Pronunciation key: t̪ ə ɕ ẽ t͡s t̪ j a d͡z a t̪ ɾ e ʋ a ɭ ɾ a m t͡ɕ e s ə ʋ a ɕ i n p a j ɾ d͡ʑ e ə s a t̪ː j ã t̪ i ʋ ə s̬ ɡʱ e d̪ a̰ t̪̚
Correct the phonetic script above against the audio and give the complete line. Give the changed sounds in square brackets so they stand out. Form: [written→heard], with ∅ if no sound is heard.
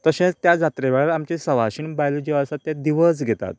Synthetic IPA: t̪ ə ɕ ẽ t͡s t̪ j a d͡z a t̪ ɾ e ʋ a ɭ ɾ a m t͡ɕ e s ə ʋ a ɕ i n [p→b] a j [ɾ→l] d͡ʑ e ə s a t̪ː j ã [t̪→d̪] i ʋ ə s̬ ɡʱ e [d̪→t̪] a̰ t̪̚